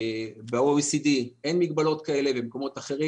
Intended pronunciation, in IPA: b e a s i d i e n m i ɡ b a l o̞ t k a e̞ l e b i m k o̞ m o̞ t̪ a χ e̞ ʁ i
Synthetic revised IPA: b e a s i d i e n m i ɡ b a l o̞ t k a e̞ l e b e m k o̞ m o̞ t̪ a χ e̞ ʁ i